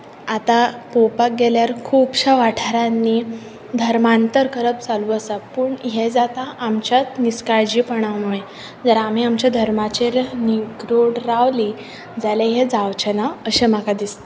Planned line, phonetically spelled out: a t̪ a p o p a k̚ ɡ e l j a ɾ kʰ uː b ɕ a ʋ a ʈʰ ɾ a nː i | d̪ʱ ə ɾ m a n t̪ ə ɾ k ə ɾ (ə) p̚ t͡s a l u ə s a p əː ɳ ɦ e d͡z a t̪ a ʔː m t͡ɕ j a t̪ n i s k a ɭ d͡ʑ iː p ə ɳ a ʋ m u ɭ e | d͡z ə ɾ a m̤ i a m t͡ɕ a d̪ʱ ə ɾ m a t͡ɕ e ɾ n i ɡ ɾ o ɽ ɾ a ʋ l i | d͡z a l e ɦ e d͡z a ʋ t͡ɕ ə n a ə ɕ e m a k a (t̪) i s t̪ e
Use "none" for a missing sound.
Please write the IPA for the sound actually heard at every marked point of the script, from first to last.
ə, d̪

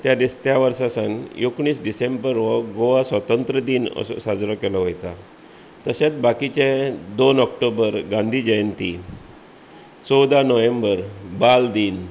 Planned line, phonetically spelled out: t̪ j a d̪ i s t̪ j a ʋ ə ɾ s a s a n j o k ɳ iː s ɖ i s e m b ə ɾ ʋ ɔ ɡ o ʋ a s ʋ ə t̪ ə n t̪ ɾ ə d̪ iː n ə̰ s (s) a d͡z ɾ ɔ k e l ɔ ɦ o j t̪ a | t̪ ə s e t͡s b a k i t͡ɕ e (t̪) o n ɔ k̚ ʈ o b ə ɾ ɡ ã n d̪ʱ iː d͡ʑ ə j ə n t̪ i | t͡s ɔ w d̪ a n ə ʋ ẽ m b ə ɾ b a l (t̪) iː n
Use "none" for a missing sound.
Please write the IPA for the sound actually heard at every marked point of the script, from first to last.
s, d̪, d̪

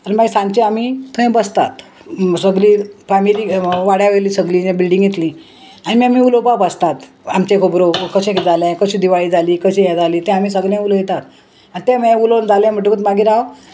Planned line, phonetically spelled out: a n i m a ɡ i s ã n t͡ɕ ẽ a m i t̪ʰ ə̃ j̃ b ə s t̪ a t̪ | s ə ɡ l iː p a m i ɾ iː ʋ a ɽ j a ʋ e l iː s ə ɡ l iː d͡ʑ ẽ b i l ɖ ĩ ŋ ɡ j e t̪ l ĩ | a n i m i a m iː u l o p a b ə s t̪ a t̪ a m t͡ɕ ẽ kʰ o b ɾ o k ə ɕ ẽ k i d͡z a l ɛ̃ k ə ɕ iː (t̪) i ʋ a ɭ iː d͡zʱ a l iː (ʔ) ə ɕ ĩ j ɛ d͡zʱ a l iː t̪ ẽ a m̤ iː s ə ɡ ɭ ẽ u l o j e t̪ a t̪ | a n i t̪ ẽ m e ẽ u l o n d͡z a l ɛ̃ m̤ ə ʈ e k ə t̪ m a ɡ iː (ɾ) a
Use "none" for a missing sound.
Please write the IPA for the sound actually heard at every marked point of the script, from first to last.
d̪, k, ɾ

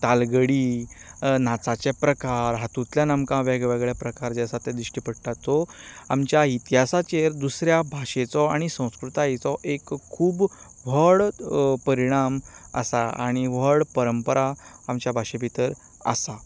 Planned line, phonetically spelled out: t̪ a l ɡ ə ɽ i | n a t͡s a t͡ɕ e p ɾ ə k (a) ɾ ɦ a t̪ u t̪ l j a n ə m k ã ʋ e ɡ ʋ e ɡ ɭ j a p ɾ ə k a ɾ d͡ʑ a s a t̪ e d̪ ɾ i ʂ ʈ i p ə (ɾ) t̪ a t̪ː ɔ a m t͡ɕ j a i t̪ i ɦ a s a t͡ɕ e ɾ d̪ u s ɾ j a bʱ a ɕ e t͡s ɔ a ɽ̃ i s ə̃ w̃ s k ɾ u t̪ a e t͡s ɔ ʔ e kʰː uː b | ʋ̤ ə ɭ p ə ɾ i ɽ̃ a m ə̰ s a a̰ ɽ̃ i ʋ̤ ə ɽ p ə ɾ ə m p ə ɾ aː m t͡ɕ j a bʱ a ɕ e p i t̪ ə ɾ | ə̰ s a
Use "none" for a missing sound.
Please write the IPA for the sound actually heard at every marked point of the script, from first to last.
a, ɽ

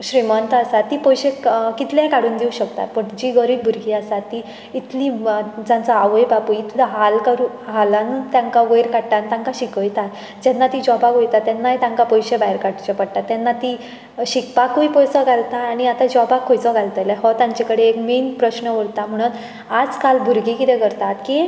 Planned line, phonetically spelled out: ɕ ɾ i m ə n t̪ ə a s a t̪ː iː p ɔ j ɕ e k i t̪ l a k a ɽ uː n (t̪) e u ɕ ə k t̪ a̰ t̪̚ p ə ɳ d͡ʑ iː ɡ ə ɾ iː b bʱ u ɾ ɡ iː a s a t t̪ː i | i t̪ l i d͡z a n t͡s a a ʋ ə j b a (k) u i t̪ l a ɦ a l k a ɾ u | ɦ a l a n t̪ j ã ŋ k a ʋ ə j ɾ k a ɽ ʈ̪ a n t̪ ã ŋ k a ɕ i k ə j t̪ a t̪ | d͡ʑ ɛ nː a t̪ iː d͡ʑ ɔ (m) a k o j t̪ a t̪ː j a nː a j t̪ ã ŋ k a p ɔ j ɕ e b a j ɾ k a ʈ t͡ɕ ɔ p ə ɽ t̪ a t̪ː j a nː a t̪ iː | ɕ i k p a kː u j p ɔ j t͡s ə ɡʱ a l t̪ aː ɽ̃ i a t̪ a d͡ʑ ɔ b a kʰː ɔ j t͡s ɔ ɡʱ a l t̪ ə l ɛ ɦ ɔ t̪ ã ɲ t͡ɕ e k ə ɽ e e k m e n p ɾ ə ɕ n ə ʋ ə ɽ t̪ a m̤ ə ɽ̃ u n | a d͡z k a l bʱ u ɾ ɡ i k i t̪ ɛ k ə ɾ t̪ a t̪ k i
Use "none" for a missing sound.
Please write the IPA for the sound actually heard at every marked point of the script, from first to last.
d̪, p, b

